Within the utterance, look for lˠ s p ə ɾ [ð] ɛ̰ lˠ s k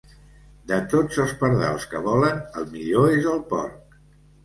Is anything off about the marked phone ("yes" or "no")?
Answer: no